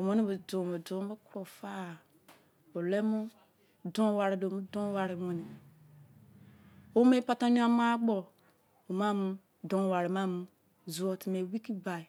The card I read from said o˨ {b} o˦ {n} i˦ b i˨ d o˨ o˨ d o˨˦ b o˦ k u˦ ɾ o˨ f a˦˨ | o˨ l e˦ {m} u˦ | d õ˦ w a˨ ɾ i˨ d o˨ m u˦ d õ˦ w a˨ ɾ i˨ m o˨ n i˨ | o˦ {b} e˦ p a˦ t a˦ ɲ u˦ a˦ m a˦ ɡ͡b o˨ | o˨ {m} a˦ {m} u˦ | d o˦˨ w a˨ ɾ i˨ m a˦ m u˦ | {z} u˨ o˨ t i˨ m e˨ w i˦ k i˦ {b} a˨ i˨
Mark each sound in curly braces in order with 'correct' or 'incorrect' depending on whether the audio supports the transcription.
incorrect: m, correct, correct, incorrect: m, correct, correct, correct, correct

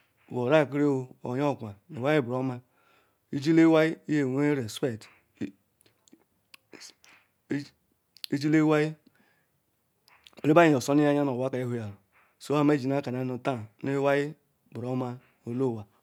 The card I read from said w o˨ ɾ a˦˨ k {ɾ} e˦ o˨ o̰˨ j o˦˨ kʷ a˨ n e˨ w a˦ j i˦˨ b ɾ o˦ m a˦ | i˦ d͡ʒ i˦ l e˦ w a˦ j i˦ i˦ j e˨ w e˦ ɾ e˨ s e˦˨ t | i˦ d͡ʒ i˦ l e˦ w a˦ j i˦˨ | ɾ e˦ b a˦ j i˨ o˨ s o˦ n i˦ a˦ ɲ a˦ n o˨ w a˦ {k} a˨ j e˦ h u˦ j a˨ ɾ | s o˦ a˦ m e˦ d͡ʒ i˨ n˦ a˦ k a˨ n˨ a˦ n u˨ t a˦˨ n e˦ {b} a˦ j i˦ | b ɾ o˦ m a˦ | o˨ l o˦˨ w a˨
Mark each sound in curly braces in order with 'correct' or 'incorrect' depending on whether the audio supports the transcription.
correct, correct, incorrect: w

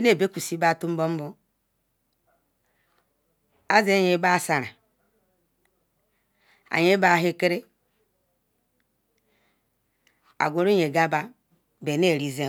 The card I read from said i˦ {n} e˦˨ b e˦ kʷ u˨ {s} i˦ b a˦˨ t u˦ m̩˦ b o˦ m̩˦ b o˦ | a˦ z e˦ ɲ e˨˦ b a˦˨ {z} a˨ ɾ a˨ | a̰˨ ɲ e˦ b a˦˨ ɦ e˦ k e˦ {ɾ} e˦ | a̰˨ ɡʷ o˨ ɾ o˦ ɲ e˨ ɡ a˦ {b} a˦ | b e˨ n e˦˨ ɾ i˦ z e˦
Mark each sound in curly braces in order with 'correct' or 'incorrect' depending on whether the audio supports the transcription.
correct, correct, incorrect: s, correct, correct

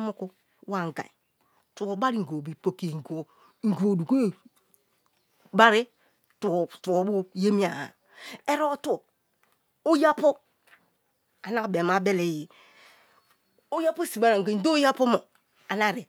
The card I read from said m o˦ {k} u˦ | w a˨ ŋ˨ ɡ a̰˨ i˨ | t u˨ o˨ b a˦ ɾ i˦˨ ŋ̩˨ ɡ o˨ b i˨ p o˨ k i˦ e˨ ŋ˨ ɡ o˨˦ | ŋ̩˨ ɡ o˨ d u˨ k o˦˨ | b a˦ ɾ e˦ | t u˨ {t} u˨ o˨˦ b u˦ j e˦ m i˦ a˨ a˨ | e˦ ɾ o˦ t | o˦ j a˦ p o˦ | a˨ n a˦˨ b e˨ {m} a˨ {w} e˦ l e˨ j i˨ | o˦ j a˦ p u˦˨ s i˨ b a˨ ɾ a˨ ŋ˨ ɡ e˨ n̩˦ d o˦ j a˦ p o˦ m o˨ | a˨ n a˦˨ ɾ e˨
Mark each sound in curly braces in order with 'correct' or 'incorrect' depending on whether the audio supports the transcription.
correct, correct, correct, incorrect: b

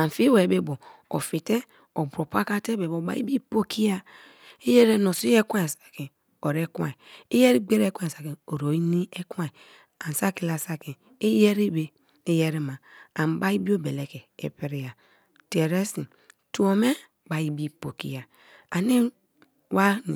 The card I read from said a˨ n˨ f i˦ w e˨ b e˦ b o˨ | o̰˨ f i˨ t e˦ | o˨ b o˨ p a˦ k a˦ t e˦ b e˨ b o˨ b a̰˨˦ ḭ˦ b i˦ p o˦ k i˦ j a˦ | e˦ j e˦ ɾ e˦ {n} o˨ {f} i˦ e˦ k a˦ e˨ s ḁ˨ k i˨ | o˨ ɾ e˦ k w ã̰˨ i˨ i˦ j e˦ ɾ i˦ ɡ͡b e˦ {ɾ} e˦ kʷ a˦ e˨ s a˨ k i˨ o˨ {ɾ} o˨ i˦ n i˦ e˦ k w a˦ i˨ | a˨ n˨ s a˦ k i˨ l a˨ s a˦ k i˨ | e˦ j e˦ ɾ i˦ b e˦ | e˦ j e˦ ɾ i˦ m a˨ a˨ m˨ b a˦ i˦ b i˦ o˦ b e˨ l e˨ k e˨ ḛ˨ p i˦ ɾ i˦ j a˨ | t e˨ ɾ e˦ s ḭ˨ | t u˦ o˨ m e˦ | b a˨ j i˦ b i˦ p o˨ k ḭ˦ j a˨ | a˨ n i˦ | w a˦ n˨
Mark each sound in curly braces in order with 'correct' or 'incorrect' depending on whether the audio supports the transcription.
correct, incorrect: s, correct, correct

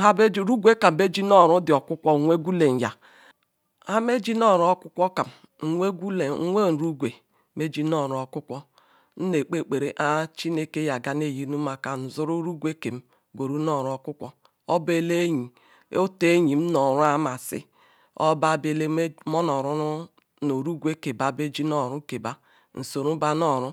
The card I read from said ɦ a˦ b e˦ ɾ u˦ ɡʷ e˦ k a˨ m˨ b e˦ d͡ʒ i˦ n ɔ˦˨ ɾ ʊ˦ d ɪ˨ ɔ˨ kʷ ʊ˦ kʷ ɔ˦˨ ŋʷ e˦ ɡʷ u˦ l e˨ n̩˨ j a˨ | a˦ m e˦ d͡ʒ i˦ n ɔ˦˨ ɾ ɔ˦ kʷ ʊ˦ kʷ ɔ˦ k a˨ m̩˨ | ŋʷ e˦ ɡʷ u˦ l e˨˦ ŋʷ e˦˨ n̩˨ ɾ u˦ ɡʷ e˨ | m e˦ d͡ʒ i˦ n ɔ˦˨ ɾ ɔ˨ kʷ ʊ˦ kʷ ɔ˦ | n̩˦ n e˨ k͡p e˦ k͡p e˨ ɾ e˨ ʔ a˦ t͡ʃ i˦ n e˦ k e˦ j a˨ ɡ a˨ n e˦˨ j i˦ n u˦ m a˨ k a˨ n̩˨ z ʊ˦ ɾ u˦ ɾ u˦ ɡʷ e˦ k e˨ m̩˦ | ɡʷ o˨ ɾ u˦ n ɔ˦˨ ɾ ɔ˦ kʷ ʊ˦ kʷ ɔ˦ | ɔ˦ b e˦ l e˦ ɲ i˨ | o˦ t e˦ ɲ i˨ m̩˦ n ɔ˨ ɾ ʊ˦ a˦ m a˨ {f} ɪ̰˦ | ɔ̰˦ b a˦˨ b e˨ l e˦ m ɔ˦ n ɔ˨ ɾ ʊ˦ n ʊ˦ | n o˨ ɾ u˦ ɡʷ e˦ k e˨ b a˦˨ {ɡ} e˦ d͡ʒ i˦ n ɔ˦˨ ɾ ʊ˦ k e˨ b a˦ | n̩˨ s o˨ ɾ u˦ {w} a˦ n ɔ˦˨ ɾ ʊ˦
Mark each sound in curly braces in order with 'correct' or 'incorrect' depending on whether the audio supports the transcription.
incorrect: s, incorrect: b, incorrect: b

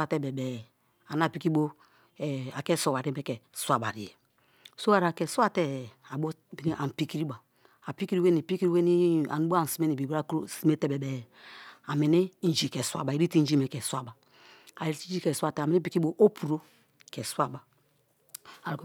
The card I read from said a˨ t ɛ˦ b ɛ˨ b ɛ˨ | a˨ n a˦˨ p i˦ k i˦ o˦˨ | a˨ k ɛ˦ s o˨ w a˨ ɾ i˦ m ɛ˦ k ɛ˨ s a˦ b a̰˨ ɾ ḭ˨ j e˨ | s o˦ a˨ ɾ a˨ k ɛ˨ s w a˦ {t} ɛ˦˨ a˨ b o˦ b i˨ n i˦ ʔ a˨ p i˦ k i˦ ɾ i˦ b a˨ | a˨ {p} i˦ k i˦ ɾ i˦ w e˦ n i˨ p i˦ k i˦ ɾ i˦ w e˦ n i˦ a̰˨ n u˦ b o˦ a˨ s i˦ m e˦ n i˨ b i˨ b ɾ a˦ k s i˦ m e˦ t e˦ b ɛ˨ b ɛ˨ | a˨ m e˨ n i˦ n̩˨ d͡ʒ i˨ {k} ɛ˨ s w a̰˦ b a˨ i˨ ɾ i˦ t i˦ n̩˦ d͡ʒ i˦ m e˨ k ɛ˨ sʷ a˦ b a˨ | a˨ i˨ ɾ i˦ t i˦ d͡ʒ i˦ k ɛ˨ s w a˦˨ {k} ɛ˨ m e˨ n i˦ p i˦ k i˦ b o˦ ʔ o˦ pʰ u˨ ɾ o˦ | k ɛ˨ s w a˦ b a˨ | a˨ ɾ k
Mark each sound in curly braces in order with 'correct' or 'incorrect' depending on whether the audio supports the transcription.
correct, correct, correct, incorrect: t

